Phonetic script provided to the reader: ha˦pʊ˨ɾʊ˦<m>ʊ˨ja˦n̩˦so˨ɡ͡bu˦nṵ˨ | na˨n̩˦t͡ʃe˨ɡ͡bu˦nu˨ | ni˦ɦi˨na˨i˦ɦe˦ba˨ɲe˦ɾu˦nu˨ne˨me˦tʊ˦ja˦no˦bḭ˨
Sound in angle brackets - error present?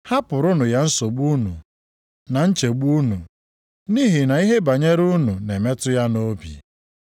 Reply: yes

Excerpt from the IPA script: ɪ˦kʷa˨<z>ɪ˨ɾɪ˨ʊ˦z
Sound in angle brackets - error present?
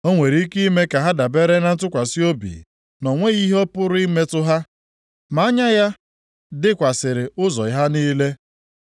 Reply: yes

